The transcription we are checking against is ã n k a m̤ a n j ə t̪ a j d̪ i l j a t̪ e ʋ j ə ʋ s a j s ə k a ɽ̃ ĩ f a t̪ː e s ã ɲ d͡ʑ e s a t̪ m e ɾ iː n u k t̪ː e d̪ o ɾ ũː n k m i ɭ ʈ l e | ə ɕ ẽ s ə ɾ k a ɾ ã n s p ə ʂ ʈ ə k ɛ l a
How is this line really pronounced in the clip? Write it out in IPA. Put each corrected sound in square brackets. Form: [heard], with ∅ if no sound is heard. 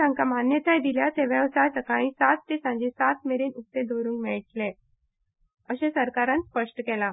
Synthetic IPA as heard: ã [ŋ] k a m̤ a n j ə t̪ a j d̪ i l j a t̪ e ʋ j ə ʋ s a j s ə k a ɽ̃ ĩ [s] a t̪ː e s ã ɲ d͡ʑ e s a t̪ m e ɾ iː n u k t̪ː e d̪ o ɾ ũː [ŋ] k m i ɭ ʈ l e | ə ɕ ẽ s ə ɾ k a ɾ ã n s p ə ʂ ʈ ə k ɛ l a

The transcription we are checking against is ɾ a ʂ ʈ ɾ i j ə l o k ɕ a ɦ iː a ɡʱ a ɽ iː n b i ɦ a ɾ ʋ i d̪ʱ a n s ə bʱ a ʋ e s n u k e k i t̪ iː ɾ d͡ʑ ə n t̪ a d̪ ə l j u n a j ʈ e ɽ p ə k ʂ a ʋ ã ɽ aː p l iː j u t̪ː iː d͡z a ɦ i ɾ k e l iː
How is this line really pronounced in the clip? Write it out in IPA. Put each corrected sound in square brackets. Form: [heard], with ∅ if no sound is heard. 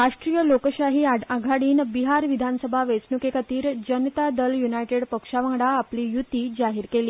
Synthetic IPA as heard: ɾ a ʂ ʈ ɾ i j ə l o k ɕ a ɦ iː a ɡʱ a ɽ iː n b i ɦ a ɾ ʋ i d̪ʱ a n s ə bʱ a ʋ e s n u k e k [a] t̪ iː ɾ d͡ʑ ə n t̪ a d̪ ə l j u n a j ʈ e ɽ p ə k ʂ a ʋ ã ɽ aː p l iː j u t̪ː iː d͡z a ɦ i ɾ k e l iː

